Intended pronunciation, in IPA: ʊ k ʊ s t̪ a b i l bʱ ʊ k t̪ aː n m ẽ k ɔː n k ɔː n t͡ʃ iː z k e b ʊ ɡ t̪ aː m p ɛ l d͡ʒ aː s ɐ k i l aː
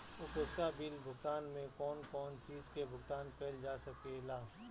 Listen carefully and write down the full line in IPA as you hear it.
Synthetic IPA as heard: ʊ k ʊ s t̪ a b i l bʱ ʊ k t̪ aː n m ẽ k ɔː n k ɔː n t͡ʃ iː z k e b ʊ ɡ t̪ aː n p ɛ l d͡ʒ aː s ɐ k e l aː